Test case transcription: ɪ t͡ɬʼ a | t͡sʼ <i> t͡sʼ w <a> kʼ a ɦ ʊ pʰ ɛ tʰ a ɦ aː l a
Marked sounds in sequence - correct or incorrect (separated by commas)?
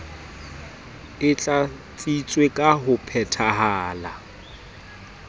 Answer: correct, incorrect